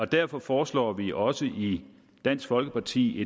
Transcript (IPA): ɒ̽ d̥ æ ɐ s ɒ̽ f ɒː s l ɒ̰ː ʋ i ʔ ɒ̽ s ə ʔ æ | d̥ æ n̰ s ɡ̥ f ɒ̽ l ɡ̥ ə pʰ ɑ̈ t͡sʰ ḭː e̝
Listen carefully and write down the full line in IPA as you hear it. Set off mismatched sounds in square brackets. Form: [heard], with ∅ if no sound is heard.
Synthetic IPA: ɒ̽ d̥ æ ɐ [f] ɒ̽ f ɒː s l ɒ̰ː ʋ i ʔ ɒ̽ s ə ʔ [i] | d̥ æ n̰ s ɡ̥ f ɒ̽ l ɡ̥ ə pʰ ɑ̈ t͡sʰ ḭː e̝